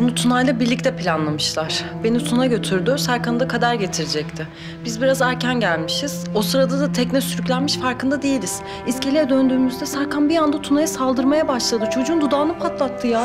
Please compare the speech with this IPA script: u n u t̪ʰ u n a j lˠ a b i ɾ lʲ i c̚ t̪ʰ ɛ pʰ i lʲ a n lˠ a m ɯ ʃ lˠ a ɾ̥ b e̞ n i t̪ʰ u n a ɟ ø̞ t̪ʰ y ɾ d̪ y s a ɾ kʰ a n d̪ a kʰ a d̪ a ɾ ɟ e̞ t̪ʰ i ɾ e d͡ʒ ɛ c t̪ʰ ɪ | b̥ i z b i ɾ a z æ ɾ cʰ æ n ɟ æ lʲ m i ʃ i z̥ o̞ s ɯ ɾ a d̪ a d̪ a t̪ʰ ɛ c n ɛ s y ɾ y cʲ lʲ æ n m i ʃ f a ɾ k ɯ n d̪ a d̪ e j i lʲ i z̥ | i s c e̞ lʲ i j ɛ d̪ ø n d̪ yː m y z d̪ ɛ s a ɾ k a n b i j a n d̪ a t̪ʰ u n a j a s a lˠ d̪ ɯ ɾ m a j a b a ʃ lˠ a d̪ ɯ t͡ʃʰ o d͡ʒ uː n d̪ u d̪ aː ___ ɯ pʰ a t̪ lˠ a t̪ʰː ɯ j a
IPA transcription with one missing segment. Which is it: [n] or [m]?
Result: n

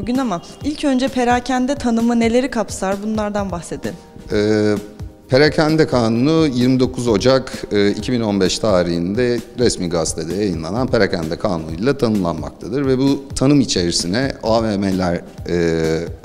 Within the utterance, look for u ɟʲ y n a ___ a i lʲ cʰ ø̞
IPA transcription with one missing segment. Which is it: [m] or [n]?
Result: m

